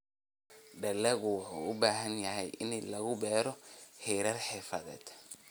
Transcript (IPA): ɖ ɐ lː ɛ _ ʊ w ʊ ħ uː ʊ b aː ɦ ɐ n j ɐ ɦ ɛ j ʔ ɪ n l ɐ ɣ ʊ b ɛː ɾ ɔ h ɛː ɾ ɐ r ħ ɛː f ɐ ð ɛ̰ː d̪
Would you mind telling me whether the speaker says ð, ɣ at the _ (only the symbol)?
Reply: ɣ